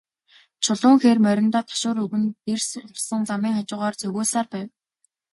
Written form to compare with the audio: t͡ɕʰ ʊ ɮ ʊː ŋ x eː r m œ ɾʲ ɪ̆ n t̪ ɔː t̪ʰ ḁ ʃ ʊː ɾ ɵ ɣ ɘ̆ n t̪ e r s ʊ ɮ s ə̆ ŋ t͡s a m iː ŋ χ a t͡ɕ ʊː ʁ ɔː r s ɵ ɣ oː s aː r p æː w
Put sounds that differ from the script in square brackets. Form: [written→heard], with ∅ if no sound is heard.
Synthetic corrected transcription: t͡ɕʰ ʊ ɮ ʊː ŋ x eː r m œ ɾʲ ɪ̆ n t̪ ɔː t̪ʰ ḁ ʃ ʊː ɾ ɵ ɣ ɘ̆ n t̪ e r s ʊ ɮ s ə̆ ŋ t͡s a m iː ŋ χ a t͡ɕ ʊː ʁ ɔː r [s→t͡s] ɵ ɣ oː s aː r p æː w